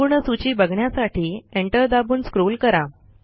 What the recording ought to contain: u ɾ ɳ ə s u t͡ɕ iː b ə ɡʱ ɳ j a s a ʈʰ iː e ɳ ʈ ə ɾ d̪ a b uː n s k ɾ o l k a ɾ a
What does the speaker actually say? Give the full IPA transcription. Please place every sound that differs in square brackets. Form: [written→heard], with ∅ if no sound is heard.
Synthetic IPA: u ɾ ɳ ə s u t͡ɕ iː b ə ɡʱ ɳ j a s a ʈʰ iː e ɳ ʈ ə ɾ d̪ a b uː n s k ɾ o l k [a→ə] ɾ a